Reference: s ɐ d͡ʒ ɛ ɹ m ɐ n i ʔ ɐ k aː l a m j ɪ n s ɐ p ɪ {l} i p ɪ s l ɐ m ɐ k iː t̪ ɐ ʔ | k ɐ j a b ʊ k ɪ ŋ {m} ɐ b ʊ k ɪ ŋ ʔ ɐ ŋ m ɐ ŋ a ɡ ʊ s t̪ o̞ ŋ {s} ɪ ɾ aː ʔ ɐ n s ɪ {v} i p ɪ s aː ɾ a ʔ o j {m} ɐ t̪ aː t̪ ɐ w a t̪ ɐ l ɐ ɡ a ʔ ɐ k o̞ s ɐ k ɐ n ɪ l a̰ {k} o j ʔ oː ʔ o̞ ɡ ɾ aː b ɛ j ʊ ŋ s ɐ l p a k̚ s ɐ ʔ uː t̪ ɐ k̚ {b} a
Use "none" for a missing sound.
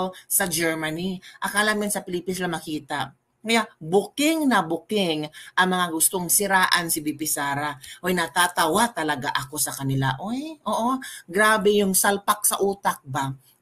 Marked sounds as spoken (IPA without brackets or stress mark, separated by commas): l, n, s, b, n, ʔ, b